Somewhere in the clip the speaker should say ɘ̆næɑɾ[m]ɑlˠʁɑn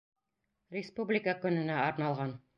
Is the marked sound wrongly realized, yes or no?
yes